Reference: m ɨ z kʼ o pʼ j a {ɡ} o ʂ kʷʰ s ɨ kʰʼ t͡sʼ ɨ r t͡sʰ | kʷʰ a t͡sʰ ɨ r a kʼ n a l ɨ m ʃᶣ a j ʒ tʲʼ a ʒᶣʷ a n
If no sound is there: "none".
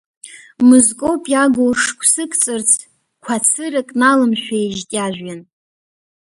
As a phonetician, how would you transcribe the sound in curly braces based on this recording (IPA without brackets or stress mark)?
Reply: ɡ